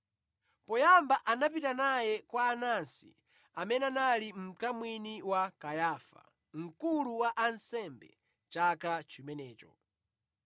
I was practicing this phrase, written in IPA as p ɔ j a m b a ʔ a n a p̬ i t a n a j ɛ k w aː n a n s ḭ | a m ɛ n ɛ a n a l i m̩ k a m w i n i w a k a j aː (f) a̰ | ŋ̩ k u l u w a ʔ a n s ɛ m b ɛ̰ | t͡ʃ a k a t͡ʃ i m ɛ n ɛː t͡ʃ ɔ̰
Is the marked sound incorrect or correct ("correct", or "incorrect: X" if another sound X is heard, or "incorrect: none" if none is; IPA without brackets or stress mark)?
correct